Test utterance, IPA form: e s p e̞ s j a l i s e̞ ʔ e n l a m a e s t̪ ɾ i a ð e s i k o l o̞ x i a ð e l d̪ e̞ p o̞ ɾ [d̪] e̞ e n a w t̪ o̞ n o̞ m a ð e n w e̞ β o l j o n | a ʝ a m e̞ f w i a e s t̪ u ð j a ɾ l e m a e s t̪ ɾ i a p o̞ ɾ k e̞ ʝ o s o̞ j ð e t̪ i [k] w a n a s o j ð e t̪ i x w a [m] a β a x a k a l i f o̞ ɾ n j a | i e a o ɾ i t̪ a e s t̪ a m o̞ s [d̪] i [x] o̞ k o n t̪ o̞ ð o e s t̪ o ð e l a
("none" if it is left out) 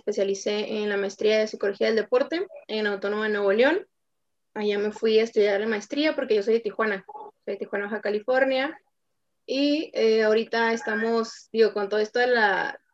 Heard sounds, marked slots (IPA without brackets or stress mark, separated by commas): t̪, x, n, d̪, ɣ